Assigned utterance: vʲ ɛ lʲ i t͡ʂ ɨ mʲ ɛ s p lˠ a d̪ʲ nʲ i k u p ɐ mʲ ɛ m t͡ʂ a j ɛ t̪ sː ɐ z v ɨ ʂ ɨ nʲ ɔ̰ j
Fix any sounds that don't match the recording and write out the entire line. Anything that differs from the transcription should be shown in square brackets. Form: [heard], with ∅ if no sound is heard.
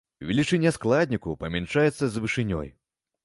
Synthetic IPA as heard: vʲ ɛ lʲ i t͡ʂ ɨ [nʲ] ɛ s [k] lˠ a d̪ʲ nʲ i k u p ɐ mʲ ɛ [n] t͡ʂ a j ɛ t̪ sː ɐ z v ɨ ʂ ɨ nʲ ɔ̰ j